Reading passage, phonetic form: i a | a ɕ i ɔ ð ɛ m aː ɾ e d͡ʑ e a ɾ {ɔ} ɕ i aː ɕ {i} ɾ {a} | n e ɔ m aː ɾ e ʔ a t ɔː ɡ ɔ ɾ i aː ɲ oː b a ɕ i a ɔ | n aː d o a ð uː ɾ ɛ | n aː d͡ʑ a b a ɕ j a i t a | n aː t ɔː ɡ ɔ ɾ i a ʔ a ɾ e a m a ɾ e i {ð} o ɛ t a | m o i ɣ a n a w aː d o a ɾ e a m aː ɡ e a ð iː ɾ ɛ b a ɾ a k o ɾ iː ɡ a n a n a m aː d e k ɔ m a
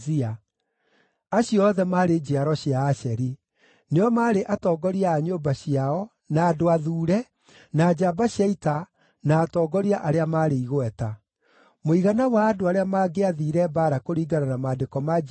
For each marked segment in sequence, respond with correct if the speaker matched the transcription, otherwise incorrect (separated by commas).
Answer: correct, incorrect, incorrect, incorrect